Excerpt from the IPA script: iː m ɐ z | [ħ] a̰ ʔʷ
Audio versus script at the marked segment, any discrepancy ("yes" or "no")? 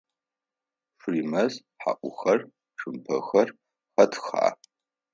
no